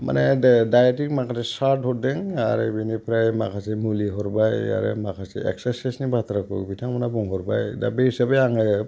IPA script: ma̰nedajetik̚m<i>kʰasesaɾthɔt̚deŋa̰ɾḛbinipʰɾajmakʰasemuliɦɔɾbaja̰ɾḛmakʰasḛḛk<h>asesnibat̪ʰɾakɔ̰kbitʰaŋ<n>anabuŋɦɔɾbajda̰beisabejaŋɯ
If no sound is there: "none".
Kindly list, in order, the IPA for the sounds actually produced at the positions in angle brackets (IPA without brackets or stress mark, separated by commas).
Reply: a, s, m